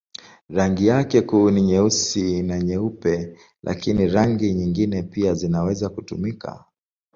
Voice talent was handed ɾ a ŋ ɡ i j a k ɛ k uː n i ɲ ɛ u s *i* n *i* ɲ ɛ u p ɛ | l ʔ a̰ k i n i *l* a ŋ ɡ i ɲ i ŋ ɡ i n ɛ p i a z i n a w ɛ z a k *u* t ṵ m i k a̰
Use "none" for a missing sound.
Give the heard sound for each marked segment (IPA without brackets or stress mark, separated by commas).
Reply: i, a, ɾ, u